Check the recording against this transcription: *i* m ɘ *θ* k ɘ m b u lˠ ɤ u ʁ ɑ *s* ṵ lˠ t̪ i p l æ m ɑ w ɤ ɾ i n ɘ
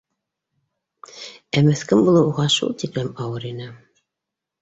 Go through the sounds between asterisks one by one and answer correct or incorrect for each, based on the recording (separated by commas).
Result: incorrect, correct, incorrect